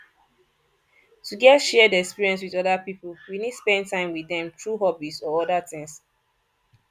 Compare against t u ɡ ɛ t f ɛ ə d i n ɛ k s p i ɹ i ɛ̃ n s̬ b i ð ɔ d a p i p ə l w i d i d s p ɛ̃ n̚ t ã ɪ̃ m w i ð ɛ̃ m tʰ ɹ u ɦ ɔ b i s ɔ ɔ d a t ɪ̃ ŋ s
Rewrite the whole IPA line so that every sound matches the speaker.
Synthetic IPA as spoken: t u ɡ ɛ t ʃ ɛ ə d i ɛ k s p i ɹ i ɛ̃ n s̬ w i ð ɔ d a p i p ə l w i n i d s p ɛ̃ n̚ t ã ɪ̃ m w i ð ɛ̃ m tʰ ɹ u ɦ ɔ b i s ɔ ɔ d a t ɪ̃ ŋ s